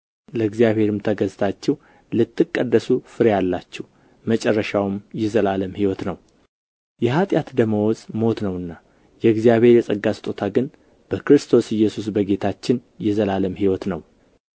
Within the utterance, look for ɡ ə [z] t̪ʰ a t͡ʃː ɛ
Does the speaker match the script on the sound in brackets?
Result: yes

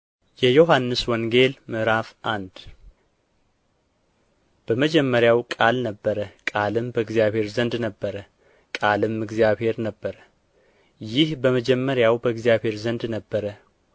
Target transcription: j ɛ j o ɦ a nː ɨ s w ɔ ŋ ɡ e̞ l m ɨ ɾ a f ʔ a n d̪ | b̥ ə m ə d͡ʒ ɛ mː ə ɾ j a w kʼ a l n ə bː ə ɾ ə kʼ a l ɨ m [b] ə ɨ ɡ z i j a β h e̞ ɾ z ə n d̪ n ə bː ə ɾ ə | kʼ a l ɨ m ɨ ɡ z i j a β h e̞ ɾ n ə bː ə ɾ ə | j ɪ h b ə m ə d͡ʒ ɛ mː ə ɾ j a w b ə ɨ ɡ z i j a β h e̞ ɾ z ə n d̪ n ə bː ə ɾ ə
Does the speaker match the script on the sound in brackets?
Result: yes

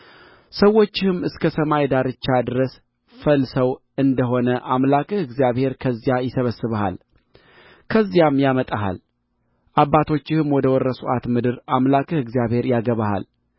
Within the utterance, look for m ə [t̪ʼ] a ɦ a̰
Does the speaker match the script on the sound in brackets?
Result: yes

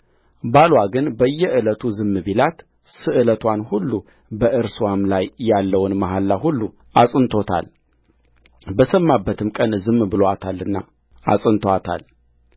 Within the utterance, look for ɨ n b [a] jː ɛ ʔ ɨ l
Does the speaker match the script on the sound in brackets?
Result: no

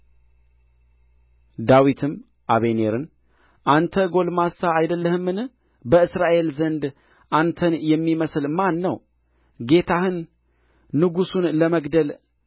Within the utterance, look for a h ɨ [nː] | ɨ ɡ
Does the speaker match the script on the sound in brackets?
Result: yes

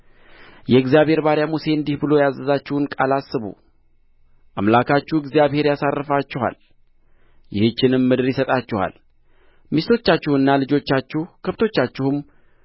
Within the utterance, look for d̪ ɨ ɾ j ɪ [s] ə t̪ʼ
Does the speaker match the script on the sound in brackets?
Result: yes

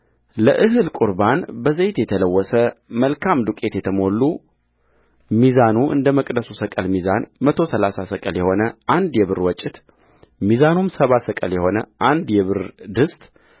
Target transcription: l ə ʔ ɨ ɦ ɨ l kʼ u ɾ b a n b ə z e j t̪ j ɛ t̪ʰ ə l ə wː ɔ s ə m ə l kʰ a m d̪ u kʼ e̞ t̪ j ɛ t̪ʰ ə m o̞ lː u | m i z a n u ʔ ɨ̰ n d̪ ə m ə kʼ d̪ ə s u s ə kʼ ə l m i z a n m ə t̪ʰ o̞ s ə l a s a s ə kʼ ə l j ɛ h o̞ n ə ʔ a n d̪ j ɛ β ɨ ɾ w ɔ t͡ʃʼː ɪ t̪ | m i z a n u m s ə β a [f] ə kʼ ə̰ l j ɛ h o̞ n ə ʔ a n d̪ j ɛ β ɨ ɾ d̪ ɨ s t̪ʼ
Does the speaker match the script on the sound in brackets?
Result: no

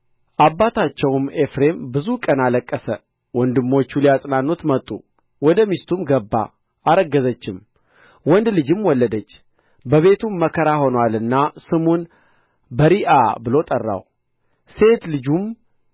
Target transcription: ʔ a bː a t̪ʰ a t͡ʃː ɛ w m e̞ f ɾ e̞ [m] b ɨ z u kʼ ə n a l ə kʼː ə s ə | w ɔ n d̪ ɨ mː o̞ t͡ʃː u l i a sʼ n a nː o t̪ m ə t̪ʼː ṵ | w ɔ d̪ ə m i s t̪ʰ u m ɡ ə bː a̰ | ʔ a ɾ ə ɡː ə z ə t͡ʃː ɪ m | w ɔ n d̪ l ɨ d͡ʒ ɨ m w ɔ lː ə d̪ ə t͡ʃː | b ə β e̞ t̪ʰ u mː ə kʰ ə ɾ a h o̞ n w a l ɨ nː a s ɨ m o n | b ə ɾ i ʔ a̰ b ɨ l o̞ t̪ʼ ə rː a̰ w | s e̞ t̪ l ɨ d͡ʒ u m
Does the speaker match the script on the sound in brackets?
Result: yes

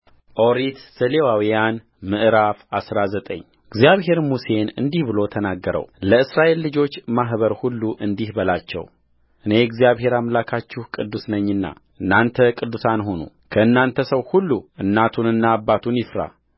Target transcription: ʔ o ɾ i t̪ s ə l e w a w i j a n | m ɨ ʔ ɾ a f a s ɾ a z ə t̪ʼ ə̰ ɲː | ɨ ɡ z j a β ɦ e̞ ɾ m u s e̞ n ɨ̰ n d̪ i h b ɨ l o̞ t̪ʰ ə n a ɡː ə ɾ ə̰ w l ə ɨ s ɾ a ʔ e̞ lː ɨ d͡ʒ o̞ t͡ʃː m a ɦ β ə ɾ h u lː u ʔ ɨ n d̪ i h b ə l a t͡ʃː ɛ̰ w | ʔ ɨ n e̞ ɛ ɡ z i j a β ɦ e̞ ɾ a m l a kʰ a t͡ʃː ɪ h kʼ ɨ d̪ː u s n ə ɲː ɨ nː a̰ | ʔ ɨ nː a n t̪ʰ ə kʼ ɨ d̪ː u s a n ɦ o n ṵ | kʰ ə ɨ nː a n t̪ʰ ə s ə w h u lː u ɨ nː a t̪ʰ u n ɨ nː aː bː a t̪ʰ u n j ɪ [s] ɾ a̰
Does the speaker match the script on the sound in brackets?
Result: no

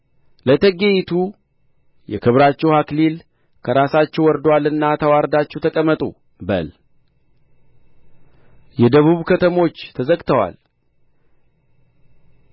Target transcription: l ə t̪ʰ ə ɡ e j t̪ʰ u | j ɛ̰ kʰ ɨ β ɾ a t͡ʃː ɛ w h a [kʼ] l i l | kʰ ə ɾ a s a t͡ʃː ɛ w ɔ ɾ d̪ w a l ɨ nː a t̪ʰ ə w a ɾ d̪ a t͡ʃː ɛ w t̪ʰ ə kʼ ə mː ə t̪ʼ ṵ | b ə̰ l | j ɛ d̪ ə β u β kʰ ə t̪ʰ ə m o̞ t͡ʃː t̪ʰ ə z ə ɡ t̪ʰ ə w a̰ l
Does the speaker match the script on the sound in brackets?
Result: no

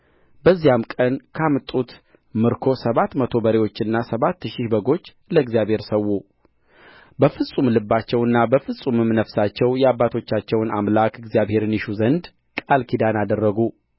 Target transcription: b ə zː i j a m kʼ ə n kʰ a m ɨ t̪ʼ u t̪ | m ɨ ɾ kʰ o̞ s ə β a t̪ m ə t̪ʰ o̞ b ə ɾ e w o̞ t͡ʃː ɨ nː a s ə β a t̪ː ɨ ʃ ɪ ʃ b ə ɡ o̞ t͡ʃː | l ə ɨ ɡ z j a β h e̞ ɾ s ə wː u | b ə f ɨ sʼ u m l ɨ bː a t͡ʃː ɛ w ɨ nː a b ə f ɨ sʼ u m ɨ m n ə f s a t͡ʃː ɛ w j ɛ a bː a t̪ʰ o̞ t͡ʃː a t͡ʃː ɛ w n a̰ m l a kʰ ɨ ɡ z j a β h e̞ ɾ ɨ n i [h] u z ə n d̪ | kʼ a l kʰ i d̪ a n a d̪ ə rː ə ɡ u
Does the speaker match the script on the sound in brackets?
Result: no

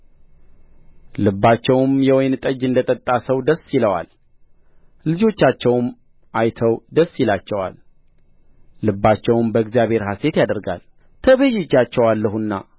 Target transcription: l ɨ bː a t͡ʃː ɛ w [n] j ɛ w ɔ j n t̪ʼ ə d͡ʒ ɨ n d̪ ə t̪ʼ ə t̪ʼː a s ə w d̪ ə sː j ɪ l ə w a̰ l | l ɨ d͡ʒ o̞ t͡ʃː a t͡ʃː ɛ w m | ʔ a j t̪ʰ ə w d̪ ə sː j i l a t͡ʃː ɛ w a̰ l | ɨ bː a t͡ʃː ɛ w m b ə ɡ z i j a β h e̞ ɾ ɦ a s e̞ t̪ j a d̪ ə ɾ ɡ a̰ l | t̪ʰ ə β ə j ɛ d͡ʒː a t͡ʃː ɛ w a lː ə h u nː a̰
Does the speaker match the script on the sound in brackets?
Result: no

